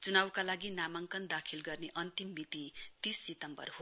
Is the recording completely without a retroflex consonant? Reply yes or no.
yes